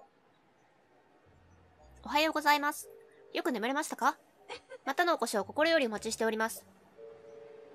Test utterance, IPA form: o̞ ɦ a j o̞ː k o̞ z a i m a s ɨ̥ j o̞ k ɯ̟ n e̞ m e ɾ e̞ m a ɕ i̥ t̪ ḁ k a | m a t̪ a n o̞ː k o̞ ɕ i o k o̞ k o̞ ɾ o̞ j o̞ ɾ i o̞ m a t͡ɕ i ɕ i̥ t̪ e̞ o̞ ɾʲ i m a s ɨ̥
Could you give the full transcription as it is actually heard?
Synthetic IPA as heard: o̞ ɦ a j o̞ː ɡ o̞ z a i m a s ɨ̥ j o̞ k ɯ̟ n e̞ m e ɾ e̞ m a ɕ i̥ t̪ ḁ k a | m a t̪ a n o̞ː k o̞ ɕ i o k o̞ k o̞ ɾ o̞ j o̞ ɾ i o̞ m a t͡ɕ i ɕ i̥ t̪ e̞ o̞ ɾʲ i m a s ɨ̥